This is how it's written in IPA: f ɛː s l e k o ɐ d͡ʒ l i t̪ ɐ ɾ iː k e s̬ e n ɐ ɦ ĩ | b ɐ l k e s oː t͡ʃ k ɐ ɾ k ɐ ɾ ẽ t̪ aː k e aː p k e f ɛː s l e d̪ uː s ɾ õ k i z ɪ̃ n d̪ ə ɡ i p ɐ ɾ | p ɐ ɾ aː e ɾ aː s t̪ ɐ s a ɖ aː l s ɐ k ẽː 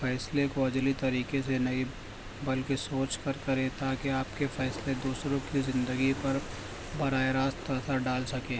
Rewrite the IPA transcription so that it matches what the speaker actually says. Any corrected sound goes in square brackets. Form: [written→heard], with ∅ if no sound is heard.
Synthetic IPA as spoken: f ɛː s l e k o ɐ d͡ʒ l i t̪ ɐ ɾ iː k e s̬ e n ɐ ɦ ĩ | b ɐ l k e s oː t͡ʃ k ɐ ɾ k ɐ ɾ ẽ t̪ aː k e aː p k e f ɛː s l e d̪ uː s ɾ õ k i z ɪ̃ n d̪ ə ɡ i p ɐ ɾ | [p→b] ɐ ɾ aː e ɾ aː s t̪ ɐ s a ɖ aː l s ɐ k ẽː